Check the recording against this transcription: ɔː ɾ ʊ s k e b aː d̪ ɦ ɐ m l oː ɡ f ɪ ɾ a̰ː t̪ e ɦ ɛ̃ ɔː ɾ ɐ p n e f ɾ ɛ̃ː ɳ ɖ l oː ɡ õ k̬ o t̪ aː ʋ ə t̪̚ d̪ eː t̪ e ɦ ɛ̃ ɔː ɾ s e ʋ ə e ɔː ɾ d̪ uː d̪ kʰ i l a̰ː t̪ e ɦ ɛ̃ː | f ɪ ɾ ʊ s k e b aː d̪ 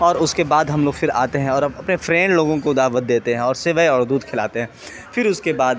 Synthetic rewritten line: ɔː ɾ ʊ s k e b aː d̪ ɦ ɐ m l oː ɡ f ɪ ɾ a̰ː t̪ e ɦ ɛ̃ ɔː ɾ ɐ p n e f ɾ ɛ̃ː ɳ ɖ l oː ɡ õ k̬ o d̪ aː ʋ ə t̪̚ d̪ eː t̪ e ɦ ɛ̃ ɔː ɾ s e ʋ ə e ɔː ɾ d̪ uː d̪ kʰ ɪ l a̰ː t̪ e ɦ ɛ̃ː | f ɪ ɾ ʊ s k e b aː d̪